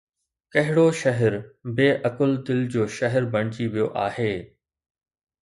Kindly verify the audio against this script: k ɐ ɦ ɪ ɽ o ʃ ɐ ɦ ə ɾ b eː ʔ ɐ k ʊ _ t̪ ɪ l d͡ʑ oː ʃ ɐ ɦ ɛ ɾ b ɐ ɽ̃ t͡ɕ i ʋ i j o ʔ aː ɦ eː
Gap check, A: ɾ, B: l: B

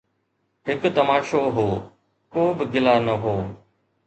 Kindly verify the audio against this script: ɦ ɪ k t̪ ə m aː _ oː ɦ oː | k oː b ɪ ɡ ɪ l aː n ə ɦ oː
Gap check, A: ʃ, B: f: A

